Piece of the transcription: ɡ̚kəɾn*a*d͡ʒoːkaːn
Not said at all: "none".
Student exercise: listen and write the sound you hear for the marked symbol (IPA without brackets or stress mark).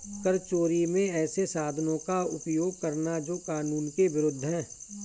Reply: a